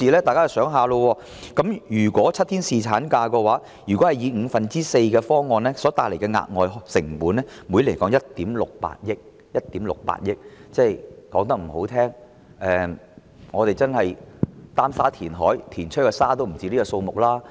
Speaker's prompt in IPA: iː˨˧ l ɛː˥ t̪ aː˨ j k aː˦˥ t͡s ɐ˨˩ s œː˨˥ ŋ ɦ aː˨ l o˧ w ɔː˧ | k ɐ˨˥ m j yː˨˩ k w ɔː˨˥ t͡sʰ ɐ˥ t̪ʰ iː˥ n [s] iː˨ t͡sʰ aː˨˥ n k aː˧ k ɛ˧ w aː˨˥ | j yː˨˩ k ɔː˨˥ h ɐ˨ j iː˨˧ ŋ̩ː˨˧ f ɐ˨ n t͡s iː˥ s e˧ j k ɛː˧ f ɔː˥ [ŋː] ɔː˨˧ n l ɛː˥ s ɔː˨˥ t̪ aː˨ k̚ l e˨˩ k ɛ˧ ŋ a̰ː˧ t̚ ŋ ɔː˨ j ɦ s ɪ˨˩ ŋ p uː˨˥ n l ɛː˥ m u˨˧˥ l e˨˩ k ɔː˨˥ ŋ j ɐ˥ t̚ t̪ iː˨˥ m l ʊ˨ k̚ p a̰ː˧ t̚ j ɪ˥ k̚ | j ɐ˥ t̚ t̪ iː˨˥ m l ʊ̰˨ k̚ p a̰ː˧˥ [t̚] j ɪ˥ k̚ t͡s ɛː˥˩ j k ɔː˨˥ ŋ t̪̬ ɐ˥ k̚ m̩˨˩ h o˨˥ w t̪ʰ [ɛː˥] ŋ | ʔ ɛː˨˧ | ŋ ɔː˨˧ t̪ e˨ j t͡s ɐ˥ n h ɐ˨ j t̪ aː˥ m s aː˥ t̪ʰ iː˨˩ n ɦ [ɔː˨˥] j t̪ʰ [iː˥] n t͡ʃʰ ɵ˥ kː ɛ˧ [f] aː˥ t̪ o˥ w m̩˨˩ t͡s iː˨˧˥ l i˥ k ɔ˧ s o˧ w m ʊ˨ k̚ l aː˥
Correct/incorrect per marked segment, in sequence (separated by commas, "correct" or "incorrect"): correct, incorrect, correct, correct, correct, incorrect, incorrect